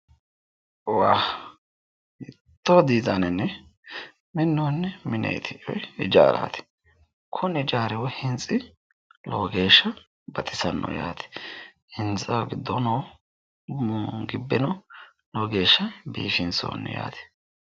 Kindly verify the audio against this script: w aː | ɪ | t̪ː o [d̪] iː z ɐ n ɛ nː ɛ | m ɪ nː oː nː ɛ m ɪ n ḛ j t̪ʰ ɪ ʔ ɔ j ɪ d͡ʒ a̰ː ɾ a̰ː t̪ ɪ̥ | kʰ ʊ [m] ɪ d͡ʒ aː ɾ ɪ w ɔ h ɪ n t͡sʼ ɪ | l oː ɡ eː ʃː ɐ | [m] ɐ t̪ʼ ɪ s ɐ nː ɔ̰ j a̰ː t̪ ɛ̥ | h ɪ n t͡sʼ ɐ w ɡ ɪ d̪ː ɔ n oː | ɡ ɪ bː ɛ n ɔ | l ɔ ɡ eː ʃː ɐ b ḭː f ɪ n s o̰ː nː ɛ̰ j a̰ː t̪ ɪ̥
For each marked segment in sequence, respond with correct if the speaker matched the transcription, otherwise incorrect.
correct, incorrect: n, incorrect: b

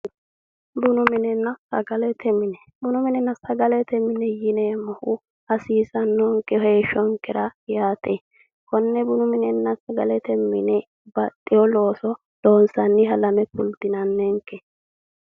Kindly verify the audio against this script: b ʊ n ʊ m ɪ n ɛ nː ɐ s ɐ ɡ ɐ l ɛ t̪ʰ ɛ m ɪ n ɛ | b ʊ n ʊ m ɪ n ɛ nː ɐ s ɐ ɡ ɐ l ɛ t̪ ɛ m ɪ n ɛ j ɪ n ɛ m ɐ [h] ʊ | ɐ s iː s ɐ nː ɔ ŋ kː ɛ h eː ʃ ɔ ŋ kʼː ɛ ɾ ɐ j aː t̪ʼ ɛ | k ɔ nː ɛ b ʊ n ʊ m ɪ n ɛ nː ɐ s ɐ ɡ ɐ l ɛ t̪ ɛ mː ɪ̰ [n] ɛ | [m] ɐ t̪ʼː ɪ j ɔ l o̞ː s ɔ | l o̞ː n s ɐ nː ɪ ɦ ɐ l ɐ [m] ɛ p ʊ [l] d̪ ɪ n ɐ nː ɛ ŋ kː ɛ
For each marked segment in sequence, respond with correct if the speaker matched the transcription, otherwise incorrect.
correct, correct, incorrect: b, correct, correct

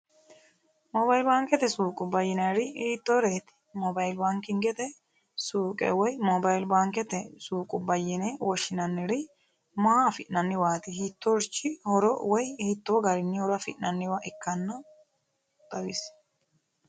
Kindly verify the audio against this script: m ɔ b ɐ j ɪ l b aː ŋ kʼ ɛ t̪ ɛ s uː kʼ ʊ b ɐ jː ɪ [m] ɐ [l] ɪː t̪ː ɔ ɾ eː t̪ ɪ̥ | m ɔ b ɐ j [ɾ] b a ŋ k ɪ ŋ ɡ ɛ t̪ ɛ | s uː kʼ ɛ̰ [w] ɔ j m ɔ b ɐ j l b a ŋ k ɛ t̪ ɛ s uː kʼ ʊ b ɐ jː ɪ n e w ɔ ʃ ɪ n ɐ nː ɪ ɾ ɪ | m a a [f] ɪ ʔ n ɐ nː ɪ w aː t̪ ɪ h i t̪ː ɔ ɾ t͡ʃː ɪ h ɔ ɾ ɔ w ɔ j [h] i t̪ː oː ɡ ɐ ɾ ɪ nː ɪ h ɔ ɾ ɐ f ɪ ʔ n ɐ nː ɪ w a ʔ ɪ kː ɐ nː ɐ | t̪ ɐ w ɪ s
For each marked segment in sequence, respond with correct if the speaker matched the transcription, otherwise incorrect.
incorrect: n, incorrect: ɾ, incorrect: l, correct, correct, correct

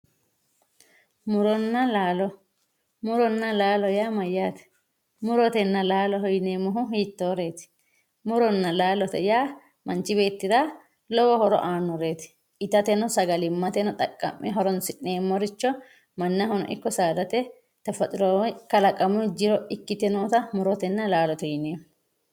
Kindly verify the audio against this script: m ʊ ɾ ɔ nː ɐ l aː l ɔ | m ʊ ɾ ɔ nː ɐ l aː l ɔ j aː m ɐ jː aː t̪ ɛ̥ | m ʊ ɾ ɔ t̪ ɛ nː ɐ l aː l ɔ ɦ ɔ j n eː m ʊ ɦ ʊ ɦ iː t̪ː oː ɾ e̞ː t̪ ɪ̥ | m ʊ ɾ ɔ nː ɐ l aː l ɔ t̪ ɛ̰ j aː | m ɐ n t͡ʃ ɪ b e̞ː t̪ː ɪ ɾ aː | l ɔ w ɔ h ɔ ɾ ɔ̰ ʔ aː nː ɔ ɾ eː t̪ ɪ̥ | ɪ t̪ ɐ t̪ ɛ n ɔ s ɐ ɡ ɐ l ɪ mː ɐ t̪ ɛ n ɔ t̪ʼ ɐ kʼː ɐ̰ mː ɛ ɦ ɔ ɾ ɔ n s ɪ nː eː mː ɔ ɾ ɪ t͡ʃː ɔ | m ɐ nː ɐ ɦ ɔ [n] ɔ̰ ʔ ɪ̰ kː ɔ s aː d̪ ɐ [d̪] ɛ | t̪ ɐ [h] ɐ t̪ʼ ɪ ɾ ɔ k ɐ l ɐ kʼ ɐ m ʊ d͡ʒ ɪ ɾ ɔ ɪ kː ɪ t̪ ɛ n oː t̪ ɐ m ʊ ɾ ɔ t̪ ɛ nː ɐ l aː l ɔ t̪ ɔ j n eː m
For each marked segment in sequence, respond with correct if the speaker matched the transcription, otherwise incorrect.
correct, incorrect: t̪, incorrect: f

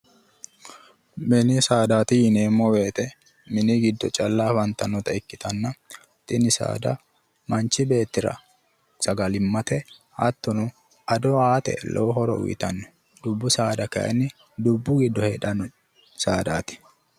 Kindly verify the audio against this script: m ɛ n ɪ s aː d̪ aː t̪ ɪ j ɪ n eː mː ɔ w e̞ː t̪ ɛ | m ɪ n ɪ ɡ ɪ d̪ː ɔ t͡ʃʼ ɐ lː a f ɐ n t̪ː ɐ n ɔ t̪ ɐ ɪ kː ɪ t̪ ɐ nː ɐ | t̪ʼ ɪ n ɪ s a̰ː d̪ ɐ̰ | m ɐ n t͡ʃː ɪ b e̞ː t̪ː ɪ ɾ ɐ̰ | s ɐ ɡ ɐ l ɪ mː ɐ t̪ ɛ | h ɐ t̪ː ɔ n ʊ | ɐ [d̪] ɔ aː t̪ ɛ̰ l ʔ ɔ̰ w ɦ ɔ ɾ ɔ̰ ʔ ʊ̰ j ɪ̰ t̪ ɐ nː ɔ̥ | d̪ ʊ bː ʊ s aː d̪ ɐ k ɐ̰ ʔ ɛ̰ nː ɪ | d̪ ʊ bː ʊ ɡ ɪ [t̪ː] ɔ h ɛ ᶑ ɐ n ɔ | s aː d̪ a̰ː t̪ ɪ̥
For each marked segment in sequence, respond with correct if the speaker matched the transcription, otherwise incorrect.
correct, incorrect: d̪ː

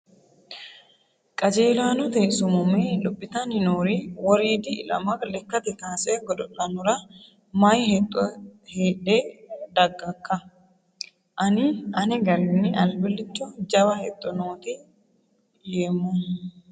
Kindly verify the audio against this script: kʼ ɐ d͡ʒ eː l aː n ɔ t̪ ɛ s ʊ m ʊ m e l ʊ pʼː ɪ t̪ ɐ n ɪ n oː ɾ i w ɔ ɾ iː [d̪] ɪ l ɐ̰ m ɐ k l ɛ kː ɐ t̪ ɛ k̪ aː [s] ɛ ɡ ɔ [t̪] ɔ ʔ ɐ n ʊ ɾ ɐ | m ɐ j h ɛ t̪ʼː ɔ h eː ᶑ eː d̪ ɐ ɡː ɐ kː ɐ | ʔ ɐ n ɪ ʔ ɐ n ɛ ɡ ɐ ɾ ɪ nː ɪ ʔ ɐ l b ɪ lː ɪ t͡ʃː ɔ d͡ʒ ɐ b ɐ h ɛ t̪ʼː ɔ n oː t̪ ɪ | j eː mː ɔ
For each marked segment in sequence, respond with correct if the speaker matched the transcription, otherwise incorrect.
correct, correct, incorrect: d̪

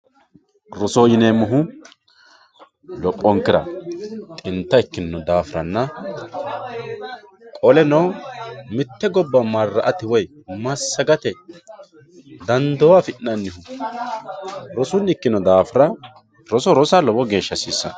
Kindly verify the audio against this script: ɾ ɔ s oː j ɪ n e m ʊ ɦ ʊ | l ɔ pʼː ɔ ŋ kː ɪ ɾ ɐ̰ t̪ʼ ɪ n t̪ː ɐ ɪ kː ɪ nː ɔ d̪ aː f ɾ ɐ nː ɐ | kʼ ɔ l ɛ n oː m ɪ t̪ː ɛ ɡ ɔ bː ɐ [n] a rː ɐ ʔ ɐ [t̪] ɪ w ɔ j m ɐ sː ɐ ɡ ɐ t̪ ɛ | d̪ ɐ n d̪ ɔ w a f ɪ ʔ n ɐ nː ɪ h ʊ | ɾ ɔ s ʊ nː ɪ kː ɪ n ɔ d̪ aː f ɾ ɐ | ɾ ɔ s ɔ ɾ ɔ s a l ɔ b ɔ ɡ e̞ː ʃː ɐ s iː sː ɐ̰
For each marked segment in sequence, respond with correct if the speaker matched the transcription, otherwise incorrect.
incorrect: m, correct

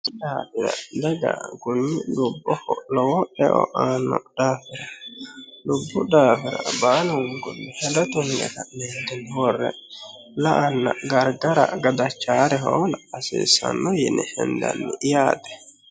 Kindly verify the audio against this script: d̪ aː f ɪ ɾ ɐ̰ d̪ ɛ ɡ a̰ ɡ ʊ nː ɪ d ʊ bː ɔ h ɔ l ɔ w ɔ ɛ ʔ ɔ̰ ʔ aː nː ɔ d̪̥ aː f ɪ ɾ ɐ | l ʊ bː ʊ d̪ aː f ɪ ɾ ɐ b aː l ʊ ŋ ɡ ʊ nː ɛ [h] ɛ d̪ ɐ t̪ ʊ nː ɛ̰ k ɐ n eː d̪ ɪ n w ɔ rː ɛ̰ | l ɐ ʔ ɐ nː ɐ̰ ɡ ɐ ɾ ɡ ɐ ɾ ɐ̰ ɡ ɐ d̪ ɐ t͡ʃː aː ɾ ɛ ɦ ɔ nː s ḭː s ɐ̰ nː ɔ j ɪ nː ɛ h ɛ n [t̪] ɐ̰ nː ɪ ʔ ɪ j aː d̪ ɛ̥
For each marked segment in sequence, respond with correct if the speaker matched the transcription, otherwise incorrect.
correct, incorrect: d̪

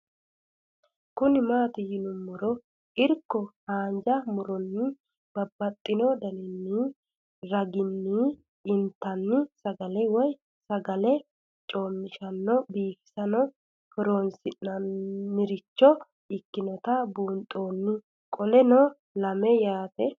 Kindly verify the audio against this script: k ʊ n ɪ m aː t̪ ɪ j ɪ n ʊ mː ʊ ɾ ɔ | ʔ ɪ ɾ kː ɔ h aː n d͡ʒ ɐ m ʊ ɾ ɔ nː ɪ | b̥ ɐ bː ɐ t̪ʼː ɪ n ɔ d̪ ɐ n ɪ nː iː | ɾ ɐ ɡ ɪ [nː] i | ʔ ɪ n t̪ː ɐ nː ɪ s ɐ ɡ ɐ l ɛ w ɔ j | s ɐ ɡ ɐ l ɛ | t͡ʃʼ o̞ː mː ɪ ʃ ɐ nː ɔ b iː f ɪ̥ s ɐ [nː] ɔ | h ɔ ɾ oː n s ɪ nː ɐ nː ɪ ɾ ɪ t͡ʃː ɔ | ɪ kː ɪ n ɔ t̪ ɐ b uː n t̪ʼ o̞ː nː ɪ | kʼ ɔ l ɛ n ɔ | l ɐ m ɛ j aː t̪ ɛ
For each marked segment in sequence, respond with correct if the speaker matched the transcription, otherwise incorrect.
correct, incorrect: n

